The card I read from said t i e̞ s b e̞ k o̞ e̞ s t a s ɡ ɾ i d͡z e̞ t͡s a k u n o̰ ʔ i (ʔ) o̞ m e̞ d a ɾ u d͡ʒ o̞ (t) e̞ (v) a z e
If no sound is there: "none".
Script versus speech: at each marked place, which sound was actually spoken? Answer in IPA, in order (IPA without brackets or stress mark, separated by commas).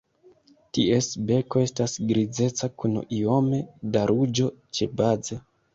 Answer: none, t͡ʃ, b